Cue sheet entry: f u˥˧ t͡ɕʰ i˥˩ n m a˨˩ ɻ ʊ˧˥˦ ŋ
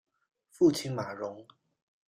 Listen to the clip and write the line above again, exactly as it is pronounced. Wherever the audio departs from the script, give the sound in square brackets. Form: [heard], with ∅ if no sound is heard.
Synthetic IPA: f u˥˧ t͡ɕʰ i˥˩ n m a˨˩ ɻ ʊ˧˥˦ ŋ